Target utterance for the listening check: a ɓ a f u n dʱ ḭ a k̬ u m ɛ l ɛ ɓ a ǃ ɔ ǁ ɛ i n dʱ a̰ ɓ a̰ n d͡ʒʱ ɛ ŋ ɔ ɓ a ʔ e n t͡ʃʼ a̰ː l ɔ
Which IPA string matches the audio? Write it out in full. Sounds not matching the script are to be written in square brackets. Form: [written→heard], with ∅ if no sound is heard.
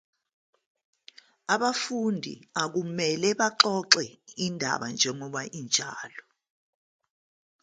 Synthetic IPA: a ɓ a f u n dʱ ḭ a k̬ u m ɛ l ɛ ɓ a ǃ ɔ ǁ ɛ i n dʱ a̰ ɓ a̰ n d͡ʒʱ ɛ ŋ ɔ ɓ a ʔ [e→i] n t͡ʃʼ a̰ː l ɔ